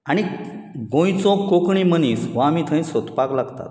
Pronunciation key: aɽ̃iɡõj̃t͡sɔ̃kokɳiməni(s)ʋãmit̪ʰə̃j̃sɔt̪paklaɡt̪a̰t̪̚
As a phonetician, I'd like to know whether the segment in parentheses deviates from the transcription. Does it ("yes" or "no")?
no